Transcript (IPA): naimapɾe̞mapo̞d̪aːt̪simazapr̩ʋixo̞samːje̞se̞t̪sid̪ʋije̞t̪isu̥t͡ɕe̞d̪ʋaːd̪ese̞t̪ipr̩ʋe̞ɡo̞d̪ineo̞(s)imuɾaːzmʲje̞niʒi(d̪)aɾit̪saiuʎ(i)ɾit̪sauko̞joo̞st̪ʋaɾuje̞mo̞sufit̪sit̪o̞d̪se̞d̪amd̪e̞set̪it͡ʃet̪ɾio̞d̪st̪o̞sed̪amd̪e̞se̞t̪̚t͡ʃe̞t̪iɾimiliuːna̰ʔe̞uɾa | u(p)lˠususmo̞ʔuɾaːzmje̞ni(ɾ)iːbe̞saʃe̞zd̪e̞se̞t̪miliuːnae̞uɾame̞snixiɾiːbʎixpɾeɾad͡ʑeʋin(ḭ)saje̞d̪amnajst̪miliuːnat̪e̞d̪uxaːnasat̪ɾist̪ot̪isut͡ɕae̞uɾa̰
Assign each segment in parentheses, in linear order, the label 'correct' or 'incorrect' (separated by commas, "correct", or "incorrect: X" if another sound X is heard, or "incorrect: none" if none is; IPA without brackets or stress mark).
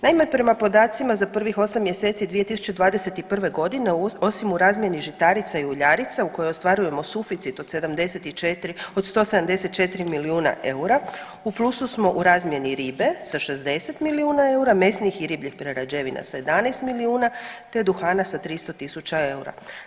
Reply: correct, incorrect: t̪, incorrect: a, correct, correct, incorrect: a̰